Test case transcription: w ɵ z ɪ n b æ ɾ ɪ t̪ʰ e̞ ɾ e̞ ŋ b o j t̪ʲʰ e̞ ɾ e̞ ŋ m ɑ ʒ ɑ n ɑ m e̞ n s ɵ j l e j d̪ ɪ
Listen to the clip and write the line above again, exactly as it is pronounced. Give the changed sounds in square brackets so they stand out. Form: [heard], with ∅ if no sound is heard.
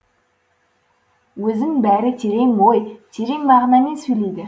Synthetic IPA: w ɵ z ɪ [ŋ] b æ ɾ ɪ t̪ʰ e̞ ɾ e̞ ŋ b o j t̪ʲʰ e̞ ɾ e̞ ŋ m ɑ [ʁ] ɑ n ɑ m e̞ n s ɵ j l e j d̪ ɪ